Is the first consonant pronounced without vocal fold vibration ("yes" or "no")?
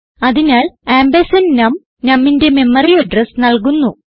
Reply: no